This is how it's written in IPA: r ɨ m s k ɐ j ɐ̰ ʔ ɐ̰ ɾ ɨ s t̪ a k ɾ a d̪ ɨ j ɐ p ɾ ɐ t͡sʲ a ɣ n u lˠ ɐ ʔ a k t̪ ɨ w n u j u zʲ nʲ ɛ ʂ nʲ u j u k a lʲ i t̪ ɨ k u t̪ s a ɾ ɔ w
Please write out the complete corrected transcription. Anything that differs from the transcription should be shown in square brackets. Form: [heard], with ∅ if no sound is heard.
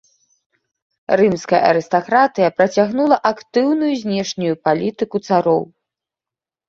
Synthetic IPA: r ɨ m s k ɐ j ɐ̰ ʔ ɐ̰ ɾ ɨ s t̪ a k ɾ a [t̪] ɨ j ɐ p ɾ ɐ t͡sʲ a ɣ n u lˠ ɐ ʔ a k t̪ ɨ w n u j u zʲ nʲ ɛ ʂ nʲ u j u [p] a lʲ i t̪ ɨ k u t̪ s a ɾ ɔ w